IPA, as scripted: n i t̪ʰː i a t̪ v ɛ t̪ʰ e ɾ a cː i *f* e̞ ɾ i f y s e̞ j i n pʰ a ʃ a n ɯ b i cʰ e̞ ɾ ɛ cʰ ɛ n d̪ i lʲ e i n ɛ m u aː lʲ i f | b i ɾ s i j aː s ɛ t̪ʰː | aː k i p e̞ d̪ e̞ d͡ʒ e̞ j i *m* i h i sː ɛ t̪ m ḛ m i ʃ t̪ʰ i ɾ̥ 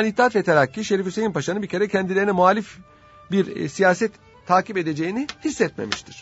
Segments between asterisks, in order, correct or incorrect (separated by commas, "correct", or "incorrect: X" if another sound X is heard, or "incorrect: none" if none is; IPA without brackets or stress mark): incorrect: ʃ, incorrect: n